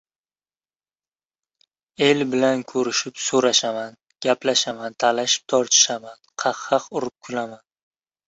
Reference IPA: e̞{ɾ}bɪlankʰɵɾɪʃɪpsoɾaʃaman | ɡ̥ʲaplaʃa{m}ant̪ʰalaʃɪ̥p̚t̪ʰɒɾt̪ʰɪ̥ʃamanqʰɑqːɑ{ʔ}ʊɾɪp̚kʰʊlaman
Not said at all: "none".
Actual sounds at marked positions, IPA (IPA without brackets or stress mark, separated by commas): l, m, q